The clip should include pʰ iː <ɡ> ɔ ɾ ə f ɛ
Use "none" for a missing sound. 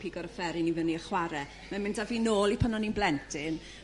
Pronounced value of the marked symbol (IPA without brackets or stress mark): ɡ